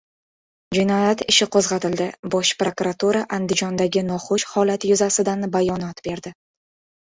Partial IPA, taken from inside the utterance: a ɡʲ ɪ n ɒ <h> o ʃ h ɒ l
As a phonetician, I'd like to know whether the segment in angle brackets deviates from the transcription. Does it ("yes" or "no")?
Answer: yes